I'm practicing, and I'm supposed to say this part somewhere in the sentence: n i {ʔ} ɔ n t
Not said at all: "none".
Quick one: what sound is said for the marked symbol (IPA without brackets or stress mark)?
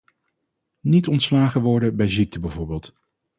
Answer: t